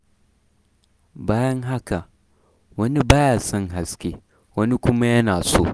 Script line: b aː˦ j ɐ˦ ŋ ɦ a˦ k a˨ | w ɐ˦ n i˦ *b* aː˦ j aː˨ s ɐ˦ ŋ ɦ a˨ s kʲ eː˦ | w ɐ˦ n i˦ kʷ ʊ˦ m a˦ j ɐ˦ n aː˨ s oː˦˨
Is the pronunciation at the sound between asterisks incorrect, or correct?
correct